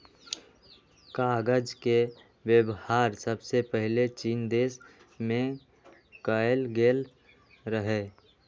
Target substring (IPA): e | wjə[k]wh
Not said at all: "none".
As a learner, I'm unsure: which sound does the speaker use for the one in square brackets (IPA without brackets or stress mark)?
none